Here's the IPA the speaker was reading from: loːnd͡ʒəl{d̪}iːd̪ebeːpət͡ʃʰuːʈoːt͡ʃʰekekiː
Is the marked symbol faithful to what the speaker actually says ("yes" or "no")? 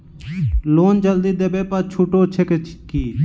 yes